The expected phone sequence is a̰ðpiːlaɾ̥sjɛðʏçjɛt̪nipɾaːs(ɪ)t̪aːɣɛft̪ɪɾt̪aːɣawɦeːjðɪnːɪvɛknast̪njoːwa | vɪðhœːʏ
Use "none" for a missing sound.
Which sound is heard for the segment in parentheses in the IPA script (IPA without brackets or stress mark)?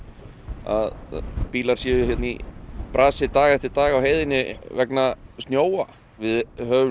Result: ɪ